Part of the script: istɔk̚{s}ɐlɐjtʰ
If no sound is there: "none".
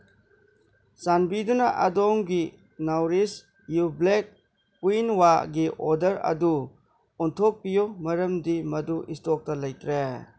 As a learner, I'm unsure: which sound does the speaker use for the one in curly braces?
t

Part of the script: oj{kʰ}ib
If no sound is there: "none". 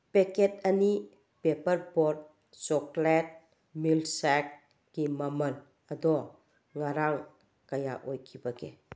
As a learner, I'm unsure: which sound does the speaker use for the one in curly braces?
kʰ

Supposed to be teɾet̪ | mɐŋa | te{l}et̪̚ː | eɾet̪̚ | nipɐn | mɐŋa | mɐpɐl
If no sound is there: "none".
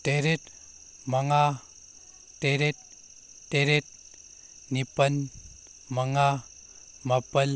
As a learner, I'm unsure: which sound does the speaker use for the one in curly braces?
ɾ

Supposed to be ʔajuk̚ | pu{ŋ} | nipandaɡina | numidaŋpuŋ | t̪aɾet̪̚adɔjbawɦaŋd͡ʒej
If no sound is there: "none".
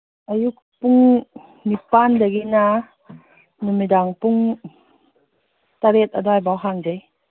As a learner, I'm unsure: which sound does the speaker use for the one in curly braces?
ŋ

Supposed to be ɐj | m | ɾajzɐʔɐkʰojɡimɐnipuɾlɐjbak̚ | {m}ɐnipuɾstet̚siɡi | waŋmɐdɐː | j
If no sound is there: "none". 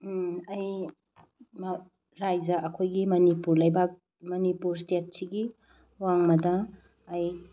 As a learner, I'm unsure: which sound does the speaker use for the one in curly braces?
m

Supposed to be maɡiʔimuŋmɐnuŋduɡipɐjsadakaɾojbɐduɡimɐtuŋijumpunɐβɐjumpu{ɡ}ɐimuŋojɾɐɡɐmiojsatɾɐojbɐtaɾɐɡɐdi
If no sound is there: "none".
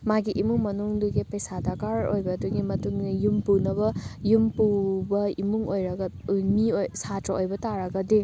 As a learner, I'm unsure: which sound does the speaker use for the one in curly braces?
b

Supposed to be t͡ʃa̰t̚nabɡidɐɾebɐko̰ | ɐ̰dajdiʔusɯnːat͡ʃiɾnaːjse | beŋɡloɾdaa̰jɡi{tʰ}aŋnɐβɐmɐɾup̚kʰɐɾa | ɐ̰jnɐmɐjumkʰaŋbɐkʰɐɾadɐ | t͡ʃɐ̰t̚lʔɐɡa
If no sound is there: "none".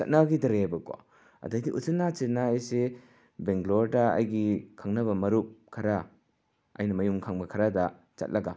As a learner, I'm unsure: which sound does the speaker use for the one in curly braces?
kʰ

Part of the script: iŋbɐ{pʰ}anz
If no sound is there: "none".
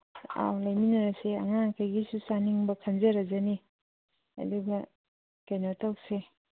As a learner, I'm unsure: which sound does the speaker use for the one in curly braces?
kʰ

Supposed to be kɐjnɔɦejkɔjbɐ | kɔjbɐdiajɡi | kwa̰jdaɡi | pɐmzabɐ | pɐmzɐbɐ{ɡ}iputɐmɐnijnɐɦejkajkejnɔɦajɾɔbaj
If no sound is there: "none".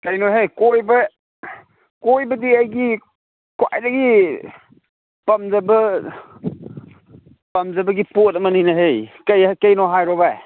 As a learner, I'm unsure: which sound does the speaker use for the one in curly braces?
ɡ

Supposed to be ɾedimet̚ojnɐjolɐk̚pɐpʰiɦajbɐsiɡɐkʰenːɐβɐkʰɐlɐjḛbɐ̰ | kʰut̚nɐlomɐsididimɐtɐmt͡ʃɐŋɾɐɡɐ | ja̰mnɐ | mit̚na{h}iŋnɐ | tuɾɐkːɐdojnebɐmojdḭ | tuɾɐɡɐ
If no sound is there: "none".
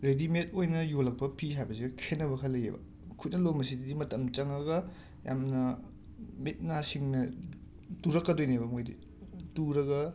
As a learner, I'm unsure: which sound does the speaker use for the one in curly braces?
s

